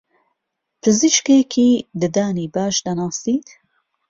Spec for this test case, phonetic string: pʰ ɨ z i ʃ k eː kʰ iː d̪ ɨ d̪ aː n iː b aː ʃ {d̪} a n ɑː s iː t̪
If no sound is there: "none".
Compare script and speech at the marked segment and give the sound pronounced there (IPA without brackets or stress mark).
d̪